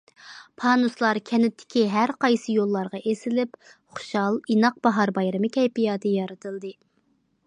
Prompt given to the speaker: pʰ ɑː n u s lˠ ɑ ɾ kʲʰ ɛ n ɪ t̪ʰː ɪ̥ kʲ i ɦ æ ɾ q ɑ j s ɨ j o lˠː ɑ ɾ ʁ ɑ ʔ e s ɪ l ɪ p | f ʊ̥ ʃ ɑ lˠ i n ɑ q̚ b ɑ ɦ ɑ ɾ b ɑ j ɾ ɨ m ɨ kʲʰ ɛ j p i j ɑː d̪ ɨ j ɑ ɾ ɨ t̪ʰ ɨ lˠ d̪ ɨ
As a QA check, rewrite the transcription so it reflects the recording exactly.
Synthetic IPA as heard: pʰ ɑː n u s lˠ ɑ ɾ kʲʰ ɛ n ɪ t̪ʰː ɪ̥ kʲ i ɦ æ ɾ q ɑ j s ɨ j o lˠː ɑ ɾ ʁ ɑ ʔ e s ɪ l ɪ p | χ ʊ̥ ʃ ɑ lˠ i n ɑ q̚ b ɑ ɦ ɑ ɾ b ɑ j ɾ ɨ m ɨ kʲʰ ɛ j p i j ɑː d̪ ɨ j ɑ ɾ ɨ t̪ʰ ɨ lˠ d̪ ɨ

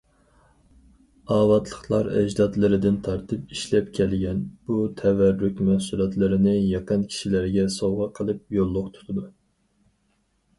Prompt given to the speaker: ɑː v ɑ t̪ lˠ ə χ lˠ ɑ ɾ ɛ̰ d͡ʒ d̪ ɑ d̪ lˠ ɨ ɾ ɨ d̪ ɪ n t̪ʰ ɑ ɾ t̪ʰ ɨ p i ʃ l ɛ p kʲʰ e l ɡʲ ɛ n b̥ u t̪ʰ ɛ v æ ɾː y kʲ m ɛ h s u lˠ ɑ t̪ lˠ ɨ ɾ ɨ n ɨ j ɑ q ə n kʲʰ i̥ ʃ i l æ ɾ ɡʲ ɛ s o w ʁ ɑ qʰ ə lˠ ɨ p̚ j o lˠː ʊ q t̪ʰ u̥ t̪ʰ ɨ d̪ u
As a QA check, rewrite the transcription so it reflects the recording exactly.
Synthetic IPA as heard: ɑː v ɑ t̪ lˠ ə χ lˠ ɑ ɾ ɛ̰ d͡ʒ d̪ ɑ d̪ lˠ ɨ ɾ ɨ d̪ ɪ n t̪ʰ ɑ ɾ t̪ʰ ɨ p i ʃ l ɛ p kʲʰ ɛ l ɡʲ ɛ n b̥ u t̪ʰ ɛ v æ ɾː y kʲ m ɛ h s u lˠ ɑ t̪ lˠ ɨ ɾ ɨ n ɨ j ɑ q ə n kʲʰ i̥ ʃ i l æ ɾ ɡʲ ɛ s o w ʁ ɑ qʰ ə lˠ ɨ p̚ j o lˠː ʊ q t̪ʰ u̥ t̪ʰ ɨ d̪ u

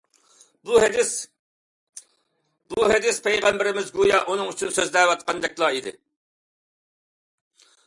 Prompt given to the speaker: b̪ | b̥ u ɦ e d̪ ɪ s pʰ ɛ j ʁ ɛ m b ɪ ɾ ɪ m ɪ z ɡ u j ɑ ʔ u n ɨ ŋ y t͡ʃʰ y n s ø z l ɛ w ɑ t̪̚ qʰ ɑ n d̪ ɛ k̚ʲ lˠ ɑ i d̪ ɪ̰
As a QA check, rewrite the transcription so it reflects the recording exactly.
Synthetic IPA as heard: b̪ | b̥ u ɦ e d̪ ɪ s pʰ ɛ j ʁ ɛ m b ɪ ɾ ɪ m ɪ z ɡ u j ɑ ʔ u n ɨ ŋ y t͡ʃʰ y n s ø z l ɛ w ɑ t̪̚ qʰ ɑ n d̪ ɛ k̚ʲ lˠ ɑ i d̪ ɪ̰

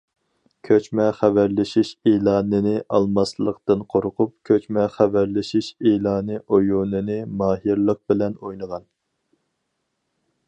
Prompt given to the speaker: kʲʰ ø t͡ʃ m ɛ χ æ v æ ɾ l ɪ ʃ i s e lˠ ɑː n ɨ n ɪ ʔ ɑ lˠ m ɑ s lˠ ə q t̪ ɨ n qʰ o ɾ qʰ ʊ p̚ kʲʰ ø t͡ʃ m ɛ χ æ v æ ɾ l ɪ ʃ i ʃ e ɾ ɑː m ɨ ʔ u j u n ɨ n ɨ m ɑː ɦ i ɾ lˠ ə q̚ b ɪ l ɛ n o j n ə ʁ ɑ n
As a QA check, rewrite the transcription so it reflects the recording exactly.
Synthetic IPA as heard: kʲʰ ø t͡ʃ m ɛ χ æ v æ ɾ l ɪ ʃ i ʃ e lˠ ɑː n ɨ n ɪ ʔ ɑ lˠ m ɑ s lˠ ə q t̪ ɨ n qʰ o ɾ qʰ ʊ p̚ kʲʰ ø t͡ʃ m ɛ χ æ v æ ɾ l ɪ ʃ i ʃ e l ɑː n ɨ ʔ o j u n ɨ n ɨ m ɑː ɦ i ɾ lˠ ə q̚ b ɪ l ɛ n o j n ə ʁ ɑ n

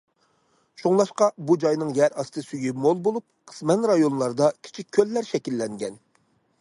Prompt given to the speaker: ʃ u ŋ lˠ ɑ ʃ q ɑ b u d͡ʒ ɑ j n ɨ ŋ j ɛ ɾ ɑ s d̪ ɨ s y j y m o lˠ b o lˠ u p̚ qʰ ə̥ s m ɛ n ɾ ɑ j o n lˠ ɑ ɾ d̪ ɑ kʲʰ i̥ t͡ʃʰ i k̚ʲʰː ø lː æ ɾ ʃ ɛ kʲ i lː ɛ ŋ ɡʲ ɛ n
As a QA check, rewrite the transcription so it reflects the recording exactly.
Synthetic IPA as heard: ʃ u ŋ lˠ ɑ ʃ q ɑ b u d͡ʒ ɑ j n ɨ ŋ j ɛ ɾ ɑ s t̪ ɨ s y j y m o lˠ b o lˠ u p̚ qʰ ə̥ s m ɛ n ɾ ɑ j o n lˠ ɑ ɾ d̪ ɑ kʲʰ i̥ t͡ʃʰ i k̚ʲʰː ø lː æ ɾ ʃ ɛ kʲ i lː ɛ ŋ ɡʲ ɛ n

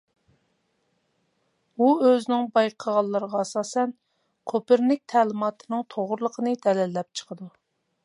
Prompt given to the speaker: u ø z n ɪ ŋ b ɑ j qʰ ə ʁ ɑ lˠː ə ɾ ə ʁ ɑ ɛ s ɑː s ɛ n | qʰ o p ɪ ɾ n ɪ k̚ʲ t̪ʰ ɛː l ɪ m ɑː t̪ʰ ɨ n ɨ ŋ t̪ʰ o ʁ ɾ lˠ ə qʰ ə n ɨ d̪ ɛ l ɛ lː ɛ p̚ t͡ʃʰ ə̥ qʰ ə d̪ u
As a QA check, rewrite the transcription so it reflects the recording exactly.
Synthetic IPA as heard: u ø z n ɪ ŋ b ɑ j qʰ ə ʁ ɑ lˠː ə ɾ ə ʁ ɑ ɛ s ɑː s ɛ n | qʰ o p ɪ ɾ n ɪ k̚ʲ t̪ʰ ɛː l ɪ m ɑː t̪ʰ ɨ n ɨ ŋ t̪ʰ o ʁ ɾ lˠ ə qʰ ə n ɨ d̪ ɛ l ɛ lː ɛ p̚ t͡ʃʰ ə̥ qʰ ə d̪ u

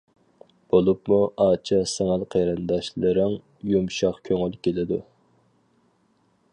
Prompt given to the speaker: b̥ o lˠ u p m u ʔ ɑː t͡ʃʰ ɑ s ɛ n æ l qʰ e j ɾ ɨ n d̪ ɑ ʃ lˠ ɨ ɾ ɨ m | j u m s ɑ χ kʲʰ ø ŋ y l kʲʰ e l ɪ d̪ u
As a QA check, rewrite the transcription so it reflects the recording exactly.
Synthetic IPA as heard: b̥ o lˠ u p m u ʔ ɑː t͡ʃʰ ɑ s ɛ ŋ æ l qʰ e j ɾ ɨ n d̪ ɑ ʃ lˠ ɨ ɾ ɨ ŋ | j u m ʃ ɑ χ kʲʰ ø ŋ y l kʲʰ e l ɪ d̪ u

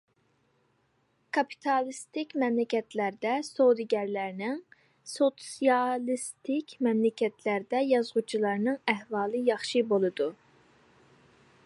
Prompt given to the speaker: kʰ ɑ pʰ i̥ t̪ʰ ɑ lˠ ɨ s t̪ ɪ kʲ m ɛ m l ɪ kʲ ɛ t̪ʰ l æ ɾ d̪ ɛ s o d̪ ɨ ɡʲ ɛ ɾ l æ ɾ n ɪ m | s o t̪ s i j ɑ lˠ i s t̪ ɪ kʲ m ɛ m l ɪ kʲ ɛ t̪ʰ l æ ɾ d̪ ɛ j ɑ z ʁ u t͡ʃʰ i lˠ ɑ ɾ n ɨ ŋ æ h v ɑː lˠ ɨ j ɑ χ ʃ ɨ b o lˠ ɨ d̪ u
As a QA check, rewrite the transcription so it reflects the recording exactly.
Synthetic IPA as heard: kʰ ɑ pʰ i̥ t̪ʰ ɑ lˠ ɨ s t̪ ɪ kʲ m ɛ m l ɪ kʲ ɛ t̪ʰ l æ ɾ d̪ ɛ s o d̪ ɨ ɡʲ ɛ ɾ l æ ɾ n ɪ ŋ | s o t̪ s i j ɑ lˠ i s t̪ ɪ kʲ m ɛ m l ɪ kʲ ɛ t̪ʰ l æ ɾ d̪ ɛ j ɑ z ʁ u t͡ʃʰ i lˠ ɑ ɾ n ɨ ŋ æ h v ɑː lˠ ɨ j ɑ χ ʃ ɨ b o lˠ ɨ d̪ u

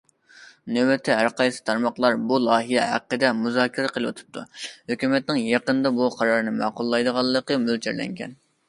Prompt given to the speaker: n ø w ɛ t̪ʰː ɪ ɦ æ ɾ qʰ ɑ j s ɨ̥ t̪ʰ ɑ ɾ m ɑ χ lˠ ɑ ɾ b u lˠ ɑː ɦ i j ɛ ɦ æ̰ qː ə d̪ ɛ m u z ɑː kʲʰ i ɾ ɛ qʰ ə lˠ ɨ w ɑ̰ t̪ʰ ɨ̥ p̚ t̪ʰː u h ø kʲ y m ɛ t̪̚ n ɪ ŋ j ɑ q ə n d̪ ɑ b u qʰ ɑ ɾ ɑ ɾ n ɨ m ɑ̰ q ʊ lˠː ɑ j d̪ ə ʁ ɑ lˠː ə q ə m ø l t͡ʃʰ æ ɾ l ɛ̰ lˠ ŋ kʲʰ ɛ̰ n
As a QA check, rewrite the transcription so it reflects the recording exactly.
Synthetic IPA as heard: n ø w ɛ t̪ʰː ɪ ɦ æ ɾ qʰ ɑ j s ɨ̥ t̪ʰ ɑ ɾ m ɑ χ lˠ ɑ ɾ b u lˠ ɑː ɦ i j ɛ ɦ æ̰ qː ə d̪ ɛ m u z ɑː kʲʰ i ɾ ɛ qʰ ə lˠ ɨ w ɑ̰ t̪ʰ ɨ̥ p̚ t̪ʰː u h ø kʲ y m ɛ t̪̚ n ɪ ŋ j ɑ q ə n d̪ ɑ b u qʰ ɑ ɾ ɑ ɾ n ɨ m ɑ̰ q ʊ lˠː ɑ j d̪ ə ʁ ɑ lˠː ə q ə m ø l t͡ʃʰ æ ɾ l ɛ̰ ŋ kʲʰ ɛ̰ n

